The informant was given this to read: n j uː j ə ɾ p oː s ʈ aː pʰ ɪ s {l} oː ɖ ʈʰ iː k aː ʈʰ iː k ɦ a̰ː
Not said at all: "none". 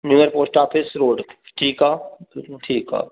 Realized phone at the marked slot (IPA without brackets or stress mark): ɾ